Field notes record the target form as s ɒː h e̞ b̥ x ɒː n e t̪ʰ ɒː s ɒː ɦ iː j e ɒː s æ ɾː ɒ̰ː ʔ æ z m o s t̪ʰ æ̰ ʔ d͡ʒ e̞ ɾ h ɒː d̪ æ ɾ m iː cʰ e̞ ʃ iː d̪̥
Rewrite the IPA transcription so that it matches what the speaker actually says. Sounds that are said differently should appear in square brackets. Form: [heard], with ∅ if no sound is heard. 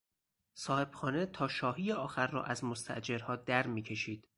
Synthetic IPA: s ɒː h e̞ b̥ x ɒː n e t̪ʰ ɒː [ʃ] ɒː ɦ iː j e ɒː [x] æ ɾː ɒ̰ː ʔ æ z m o s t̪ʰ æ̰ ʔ d͡ʒ e̞ ɾ h ɒː d̪ æ ɾ m iː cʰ e̞ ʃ iː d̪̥